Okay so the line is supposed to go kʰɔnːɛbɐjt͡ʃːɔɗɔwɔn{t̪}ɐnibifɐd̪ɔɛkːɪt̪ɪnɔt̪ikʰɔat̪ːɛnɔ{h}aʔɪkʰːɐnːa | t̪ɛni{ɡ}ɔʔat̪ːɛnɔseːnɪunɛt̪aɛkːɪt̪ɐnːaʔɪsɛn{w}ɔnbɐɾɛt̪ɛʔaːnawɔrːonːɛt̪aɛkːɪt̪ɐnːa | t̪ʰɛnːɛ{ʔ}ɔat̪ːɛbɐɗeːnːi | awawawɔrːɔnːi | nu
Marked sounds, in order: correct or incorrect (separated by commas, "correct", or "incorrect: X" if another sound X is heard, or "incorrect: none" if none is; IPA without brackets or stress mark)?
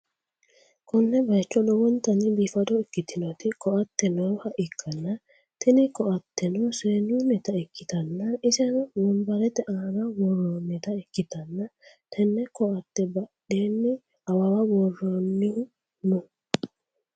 correct, correct, incorrect: k, correct, incorrect: k